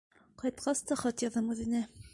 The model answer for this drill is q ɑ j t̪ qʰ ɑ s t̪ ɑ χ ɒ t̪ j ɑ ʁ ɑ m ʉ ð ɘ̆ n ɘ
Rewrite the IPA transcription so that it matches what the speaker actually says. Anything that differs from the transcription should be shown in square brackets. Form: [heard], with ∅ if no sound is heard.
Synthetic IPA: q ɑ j t̪ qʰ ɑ s t̪ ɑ χ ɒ t̪ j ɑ [ð] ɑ m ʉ ð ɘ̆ n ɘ